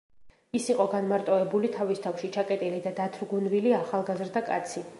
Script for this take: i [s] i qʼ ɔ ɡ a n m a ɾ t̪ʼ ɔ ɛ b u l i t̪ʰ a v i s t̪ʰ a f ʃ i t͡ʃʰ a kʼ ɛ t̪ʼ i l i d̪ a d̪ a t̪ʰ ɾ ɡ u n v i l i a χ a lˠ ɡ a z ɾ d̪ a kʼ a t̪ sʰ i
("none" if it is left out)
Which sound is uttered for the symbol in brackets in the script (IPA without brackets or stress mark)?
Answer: s